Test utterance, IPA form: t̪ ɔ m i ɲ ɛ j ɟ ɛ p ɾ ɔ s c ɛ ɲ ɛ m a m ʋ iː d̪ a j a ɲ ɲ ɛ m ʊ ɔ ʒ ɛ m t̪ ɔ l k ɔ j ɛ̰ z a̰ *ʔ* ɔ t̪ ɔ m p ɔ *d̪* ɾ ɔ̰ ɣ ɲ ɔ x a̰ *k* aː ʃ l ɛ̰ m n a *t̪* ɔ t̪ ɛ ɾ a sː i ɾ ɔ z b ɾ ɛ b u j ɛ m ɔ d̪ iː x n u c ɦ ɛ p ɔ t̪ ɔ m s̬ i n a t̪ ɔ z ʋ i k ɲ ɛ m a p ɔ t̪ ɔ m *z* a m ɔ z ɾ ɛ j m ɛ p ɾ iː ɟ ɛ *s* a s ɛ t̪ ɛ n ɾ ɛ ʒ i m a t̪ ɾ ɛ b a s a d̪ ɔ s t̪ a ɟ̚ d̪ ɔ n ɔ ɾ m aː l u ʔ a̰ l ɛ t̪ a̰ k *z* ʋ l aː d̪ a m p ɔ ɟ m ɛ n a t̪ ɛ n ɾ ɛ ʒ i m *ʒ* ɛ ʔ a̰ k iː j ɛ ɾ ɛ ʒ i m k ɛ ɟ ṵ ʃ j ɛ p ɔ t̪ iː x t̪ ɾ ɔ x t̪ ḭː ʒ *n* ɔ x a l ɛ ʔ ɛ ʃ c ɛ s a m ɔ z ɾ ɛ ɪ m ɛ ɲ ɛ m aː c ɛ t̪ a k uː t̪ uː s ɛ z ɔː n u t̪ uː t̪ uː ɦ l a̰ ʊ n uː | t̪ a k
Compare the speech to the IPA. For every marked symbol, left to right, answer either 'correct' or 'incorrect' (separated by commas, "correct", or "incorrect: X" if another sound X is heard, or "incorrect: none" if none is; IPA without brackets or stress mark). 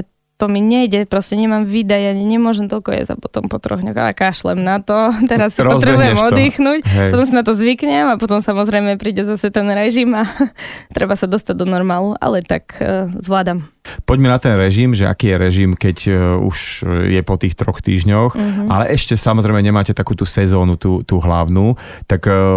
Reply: incorrect: p, incorrect: t̪, correct, correct, incorrect: s, incorrect: z, correct, correct, incorrect: ɲ